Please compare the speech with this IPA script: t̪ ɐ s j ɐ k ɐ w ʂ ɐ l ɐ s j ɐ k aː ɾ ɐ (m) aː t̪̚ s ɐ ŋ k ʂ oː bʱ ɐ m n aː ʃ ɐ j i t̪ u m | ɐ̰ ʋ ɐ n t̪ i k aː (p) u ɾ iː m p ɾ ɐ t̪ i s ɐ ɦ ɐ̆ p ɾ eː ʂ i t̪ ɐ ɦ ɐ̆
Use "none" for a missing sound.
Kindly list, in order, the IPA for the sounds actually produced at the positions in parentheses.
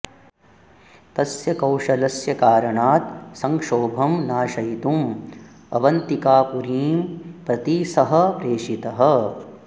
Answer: ɳ, p

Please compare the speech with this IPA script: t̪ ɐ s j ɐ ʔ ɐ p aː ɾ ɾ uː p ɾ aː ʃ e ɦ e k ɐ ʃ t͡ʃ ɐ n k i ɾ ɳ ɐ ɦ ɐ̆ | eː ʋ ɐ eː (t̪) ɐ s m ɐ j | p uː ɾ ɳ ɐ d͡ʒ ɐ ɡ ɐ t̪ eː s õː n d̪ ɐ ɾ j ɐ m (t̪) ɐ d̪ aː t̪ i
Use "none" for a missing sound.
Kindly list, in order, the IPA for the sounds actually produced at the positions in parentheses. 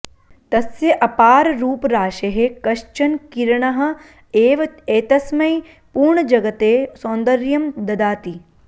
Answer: t̪, d̪

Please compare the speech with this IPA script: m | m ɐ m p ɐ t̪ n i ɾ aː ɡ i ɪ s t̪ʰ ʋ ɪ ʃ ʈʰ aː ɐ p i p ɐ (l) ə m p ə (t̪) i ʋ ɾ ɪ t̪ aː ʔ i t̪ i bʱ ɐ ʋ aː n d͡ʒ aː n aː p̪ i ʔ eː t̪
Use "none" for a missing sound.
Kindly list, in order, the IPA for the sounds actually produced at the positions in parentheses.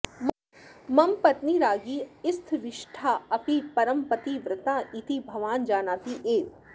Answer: ɾ, t̪

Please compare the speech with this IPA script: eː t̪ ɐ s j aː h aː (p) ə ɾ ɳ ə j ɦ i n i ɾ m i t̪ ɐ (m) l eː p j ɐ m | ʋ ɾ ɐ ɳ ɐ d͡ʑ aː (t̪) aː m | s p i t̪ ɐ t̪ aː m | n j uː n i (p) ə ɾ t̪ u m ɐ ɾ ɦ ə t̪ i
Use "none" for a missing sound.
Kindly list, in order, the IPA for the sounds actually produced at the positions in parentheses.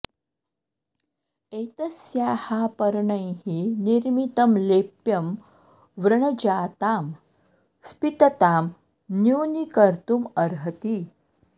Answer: p, m, t̪, k

